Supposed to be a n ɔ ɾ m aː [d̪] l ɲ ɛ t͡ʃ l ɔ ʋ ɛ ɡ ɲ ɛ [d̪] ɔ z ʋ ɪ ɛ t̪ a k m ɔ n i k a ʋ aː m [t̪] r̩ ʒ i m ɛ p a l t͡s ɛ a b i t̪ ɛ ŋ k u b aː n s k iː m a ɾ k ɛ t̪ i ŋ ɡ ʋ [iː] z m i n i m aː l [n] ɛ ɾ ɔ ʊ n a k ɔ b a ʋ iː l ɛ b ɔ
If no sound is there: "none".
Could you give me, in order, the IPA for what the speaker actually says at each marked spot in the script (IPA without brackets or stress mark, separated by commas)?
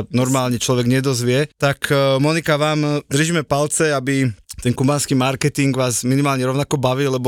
none, d̪, d̪, aː, ɲ